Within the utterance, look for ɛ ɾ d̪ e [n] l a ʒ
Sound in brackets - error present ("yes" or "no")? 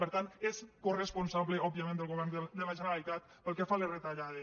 yes